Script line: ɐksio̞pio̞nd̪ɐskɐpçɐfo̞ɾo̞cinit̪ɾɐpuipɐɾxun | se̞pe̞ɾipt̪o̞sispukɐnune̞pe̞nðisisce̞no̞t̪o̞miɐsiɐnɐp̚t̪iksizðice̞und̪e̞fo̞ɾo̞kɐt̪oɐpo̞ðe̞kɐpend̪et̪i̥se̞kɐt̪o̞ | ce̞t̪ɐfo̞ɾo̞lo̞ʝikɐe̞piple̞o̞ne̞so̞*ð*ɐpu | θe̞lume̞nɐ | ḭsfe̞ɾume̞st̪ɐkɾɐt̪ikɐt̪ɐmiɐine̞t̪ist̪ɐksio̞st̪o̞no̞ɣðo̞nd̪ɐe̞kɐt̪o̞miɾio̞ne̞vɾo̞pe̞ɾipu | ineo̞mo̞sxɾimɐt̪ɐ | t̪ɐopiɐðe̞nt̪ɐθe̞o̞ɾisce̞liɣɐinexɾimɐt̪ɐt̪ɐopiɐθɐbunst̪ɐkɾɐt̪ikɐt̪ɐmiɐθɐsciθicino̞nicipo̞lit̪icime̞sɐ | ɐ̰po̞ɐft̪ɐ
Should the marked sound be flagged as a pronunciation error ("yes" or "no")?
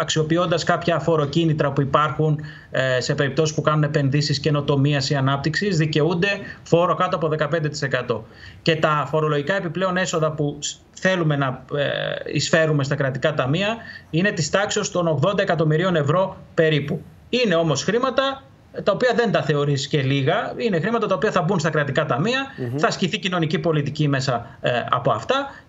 no